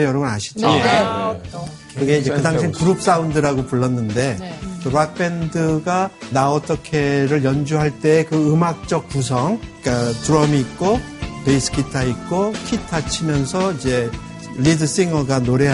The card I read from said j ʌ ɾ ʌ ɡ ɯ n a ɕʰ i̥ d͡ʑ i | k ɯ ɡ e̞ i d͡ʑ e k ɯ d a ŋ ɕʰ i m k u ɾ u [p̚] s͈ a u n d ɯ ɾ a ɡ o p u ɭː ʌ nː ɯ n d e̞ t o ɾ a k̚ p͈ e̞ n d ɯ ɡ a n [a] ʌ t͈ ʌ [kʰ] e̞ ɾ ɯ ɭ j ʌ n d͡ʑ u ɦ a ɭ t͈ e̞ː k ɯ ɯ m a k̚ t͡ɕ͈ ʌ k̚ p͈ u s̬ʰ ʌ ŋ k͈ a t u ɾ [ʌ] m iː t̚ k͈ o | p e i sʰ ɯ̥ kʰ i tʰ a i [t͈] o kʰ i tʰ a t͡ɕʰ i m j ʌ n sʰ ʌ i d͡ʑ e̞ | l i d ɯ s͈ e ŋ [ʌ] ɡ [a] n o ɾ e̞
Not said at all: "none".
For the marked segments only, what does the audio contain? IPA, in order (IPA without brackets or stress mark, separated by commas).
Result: p̚, a, kʰ, ʌ, k͈, ʌ, a